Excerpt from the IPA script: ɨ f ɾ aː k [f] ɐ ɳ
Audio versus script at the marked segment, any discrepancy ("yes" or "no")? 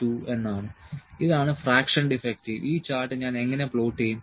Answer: yes